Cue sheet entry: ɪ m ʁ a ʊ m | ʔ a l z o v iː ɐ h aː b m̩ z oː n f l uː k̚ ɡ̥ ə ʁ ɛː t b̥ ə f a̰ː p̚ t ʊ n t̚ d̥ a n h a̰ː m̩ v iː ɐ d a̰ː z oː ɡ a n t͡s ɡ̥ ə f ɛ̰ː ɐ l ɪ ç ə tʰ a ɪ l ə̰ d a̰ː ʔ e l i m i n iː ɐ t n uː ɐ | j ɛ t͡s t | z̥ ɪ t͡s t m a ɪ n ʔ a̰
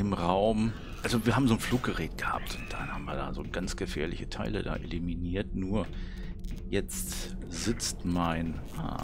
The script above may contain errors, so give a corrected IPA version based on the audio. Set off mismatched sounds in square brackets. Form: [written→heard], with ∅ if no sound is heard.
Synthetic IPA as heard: ɪ m ʁ a ʊ m | ʔ a l z o v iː ɐ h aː b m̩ z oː n f l uː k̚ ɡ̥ ə ʁ ɛː t [b̥→ɡ̥] ə [f→h] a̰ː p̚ t ʊ n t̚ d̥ a n h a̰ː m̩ v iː ɐ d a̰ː z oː ɡ a n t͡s ɡ̥ ə f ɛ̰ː ɐ l ɪ ç ə tʰ a ɪ l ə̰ d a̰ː ʔ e l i m i n iː ɐ t n uː ɐ | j ɛ t͡s t | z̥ ɪ t͡s t m a ɪ n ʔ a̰